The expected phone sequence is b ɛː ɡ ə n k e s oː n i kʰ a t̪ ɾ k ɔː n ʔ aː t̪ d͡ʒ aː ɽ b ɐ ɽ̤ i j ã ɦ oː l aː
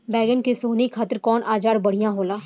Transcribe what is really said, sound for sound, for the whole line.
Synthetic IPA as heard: b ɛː ɡ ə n k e s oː n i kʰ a t̪ ɾ k ɔː n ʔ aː d͡ʒ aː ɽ b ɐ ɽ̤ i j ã ɦ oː l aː